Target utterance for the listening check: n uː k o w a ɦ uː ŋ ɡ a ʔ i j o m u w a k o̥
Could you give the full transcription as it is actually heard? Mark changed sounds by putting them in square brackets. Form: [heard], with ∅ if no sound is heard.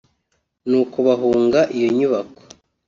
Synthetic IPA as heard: n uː k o [β] a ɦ uː ŋ ɡ a ʔ i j o [ɲ] u [β] a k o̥